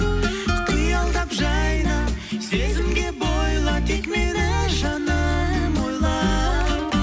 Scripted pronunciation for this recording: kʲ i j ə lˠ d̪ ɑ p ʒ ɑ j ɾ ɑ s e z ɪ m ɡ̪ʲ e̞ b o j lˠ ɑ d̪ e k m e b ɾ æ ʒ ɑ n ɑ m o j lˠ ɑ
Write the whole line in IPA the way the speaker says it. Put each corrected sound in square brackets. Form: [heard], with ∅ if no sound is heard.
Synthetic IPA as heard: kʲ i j [ɑ] lˠ d̪ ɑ p ʒ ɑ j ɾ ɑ s e z ɪ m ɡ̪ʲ e̞ b o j lˠ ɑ [t̪] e k m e [∅] ɾ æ ʒ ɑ n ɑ m o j lˠ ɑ